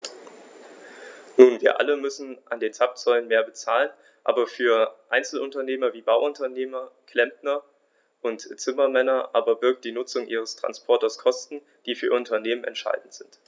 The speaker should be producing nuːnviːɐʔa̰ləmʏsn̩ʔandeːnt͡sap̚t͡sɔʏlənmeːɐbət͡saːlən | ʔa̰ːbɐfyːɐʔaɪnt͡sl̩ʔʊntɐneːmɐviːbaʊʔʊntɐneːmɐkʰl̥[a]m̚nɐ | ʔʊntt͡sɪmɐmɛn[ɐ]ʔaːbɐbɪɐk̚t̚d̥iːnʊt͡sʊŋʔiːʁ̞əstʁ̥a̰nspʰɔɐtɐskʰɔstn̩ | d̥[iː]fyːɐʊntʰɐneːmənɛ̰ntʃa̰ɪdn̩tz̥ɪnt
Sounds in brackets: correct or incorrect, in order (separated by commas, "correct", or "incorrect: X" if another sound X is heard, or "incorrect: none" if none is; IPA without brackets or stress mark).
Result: incorrect: ɛ, correct, correct